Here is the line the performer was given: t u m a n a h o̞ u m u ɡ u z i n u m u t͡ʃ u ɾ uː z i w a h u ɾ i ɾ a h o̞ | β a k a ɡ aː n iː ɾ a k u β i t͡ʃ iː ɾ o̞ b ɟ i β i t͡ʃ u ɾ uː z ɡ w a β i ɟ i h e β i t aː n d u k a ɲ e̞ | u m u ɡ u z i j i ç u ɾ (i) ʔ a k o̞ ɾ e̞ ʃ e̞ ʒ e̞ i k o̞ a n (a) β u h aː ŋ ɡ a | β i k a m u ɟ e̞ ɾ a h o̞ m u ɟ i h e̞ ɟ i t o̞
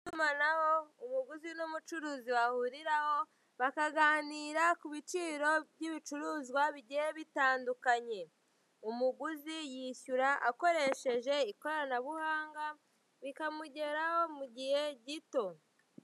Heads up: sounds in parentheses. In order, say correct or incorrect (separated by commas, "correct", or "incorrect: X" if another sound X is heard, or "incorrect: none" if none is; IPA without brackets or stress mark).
incorrect: a, correct